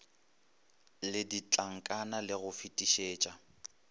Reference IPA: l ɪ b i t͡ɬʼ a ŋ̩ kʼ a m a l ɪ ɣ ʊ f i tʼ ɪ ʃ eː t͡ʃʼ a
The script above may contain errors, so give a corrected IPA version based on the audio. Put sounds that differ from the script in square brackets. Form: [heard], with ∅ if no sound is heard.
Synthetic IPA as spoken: l ɪ [d] i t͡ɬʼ a ŋ̩ kʼ a [n] a l ɪ ɣ ʊ f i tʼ [i] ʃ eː t͡ʃʼ a